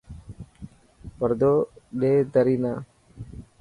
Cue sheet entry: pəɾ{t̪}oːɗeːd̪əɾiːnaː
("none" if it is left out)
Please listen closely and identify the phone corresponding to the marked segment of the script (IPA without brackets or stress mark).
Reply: d̪